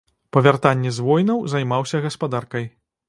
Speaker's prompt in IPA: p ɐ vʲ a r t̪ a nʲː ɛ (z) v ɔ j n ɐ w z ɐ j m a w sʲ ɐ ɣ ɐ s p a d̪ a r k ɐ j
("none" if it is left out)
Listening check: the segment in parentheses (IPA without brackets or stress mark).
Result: z